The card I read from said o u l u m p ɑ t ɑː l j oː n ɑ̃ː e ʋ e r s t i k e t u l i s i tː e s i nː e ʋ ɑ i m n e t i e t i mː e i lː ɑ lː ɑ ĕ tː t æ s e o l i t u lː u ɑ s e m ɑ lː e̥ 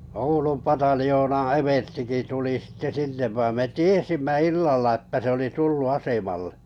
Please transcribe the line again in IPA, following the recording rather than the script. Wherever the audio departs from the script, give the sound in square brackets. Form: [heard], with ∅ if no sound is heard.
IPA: o u l u m p ɑ t [ɑ] l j oː n ɑ̃ː e ʋ e r s t i k [i] t u l i s i tː e s i nː e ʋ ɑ i m [m] e t i e [s] i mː [æ] i lː ɑ lː ɑ ĕ tː t æ s e o l i t u lː u ɑ s e m ɑ lː e̥